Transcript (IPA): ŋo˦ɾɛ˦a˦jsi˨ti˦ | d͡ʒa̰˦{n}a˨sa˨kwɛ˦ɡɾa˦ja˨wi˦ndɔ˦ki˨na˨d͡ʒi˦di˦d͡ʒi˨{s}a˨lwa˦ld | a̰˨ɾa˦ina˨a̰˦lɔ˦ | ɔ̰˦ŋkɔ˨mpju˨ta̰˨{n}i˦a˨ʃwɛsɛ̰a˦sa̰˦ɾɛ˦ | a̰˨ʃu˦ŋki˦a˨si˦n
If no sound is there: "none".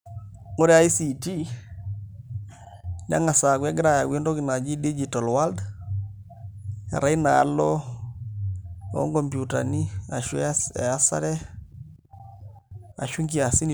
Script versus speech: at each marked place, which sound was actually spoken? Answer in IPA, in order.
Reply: ŋ, t, n

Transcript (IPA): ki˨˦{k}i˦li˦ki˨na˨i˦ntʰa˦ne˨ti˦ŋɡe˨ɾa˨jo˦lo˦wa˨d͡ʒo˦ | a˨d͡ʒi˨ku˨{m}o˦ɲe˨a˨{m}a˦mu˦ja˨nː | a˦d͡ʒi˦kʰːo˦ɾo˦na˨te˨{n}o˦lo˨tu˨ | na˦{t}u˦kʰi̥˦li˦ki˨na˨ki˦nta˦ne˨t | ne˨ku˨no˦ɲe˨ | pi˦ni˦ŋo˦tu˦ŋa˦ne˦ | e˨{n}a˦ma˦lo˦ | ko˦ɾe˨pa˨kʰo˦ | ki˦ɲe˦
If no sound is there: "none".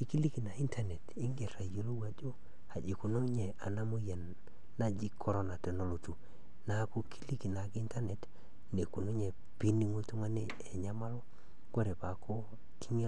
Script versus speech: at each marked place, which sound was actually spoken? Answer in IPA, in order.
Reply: k, n, n, n, k, ɲ

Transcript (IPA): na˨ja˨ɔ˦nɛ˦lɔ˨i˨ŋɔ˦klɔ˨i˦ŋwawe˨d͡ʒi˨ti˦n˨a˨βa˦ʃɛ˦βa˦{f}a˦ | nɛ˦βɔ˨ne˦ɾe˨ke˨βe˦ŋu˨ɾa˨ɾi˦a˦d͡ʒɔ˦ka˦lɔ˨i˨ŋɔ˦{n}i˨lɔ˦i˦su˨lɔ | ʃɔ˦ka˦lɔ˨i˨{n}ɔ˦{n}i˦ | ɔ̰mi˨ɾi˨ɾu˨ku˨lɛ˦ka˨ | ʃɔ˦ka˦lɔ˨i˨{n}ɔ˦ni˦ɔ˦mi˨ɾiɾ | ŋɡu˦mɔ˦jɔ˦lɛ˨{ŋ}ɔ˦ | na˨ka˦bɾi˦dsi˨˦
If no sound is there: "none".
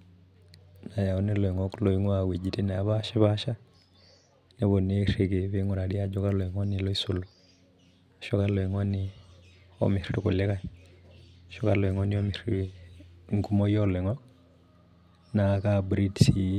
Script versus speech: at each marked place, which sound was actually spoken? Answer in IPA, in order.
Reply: ʃ, n, ŋ, n, ŋ, ŋ

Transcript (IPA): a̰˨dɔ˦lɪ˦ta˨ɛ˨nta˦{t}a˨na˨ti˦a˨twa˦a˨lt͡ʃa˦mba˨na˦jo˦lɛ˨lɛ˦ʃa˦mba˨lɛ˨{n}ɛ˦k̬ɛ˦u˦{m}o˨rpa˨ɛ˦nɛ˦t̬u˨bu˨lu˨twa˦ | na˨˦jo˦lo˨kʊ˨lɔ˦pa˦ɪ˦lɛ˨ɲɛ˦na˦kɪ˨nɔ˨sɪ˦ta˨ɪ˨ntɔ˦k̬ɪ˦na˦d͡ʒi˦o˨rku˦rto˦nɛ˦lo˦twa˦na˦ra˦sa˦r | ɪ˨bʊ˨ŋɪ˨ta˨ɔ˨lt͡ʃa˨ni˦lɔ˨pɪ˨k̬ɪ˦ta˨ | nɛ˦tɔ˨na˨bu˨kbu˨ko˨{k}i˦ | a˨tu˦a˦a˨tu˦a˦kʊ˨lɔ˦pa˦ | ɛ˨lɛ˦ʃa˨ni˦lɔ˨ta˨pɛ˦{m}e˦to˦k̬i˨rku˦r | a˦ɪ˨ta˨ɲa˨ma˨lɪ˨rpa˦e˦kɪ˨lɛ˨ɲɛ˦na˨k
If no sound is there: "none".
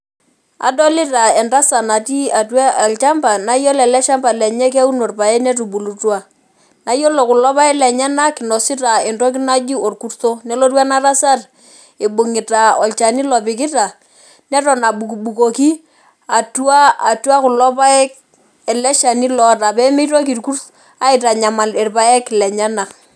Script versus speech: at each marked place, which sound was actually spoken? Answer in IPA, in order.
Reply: s, ɲ, n, k, m

